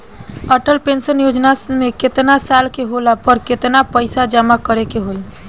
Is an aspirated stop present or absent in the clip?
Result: absent